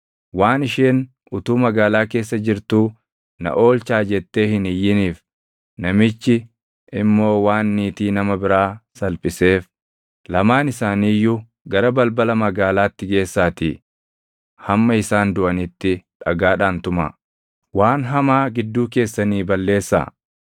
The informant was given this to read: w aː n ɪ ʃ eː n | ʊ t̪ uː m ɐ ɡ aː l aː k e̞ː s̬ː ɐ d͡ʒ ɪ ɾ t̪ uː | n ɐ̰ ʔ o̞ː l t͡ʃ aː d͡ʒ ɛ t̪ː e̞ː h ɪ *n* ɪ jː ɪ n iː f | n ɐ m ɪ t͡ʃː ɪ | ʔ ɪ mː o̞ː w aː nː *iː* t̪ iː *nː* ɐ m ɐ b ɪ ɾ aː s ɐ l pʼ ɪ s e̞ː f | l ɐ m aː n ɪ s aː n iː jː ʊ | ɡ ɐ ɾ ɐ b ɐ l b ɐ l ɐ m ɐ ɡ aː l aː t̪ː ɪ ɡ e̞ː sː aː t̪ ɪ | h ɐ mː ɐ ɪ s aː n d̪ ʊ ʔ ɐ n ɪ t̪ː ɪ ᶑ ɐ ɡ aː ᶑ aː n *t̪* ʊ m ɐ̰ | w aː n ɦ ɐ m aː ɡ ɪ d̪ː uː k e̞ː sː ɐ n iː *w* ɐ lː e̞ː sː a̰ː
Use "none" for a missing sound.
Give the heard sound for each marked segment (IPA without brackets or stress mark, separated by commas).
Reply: n, iː, n, t̪, b